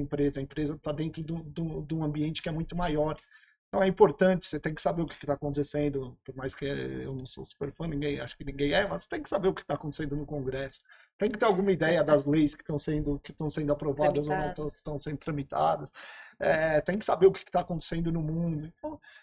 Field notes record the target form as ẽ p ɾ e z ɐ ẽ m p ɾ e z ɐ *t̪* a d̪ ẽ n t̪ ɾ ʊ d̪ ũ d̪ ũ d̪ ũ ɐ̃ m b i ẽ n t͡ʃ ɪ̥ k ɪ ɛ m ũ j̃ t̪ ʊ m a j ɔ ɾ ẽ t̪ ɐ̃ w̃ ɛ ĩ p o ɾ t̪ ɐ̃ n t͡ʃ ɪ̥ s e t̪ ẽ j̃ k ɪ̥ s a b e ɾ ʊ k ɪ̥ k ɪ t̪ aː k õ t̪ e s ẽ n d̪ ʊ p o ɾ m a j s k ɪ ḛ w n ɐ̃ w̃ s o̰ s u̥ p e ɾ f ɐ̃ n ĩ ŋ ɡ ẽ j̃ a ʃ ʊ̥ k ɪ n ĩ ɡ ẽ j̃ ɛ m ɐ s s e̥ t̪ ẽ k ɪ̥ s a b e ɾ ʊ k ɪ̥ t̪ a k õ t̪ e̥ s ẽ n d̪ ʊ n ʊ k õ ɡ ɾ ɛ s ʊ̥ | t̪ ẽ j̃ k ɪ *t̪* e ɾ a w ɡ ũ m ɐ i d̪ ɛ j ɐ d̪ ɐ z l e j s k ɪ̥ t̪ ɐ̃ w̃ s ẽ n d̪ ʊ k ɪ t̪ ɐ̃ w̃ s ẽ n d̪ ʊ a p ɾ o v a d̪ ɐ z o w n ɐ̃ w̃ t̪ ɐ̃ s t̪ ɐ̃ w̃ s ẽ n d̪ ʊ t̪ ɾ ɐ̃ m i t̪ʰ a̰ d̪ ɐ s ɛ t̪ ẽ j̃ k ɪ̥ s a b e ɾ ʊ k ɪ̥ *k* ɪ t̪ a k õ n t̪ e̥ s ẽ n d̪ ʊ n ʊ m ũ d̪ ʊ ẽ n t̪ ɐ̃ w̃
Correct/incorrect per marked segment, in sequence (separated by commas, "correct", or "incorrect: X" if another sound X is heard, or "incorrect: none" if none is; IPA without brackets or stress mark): correct, correct, correct